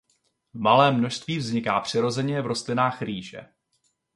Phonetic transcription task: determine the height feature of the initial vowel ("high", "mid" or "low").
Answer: low